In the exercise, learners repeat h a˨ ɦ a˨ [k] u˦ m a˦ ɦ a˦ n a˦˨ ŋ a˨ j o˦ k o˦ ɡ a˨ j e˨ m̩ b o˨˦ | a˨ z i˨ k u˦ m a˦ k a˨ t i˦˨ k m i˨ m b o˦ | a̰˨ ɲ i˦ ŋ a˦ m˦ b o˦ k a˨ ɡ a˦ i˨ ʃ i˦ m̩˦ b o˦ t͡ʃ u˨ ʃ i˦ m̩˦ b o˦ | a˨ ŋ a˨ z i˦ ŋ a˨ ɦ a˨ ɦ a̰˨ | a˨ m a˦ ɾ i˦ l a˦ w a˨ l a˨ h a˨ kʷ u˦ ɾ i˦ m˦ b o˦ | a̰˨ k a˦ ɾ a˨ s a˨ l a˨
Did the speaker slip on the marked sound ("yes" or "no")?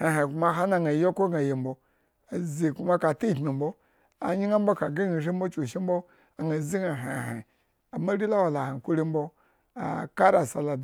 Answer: no